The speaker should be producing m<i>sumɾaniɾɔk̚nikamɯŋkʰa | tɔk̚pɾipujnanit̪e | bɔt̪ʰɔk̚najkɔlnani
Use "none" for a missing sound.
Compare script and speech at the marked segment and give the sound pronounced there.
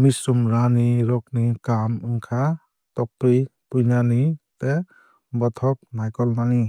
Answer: i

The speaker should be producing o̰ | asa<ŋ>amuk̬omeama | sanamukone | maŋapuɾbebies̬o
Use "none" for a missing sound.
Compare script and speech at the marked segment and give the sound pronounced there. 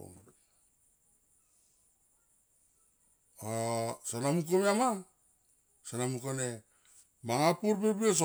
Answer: n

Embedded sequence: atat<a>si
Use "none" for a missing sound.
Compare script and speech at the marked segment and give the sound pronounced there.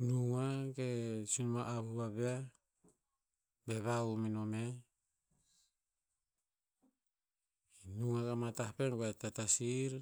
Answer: a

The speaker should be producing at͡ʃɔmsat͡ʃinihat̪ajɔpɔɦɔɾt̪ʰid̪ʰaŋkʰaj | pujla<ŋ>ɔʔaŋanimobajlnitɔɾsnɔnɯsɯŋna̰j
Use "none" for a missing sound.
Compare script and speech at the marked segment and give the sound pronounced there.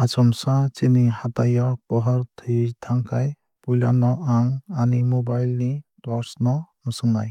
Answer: n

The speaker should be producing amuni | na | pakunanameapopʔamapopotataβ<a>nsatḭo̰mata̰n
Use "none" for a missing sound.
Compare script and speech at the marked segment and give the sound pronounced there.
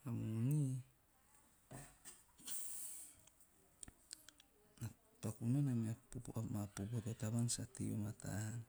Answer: a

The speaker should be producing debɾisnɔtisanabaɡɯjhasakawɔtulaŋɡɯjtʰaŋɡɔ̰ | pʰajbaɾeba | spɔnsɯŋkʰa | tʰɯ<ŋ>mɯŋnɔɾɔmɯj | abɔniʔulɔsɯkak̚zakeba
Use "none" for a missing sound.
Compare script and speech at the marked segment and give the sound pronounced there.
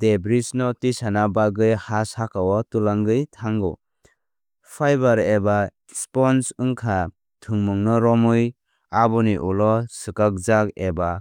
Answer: ŋ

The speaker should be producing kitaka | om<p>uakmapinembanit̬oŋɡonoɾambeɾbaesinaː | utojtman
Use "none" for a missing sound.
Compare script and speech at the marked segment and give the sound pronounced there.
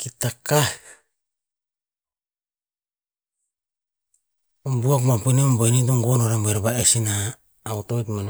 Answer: b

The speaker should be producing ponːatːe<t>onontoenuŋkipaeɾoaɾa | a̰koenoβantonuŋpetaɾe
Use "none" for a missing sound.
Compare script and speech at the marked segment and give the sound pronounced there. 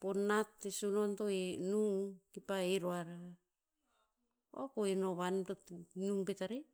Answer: s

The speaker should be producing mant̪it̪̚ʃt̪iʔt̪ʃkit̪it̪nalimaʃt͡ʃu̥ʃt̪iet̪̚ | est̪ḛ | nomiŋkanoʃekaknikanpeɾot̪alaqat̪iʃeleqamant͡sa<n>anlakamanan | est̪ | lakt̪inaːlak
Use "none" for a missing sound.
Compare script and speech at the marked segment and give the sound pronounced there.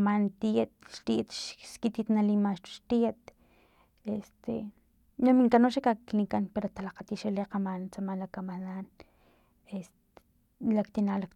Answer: m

